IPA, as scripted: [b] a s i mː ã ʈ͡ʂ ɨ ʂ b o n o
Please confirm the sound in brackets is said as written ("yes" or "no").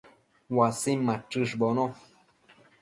no